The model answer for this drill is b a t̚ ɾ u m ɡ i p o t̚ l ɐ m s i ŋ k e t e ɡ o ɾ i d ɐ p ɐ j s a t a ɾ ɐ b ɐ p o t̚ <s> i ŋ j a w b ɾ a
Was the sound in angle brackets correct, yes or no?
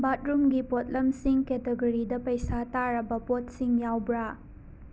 yes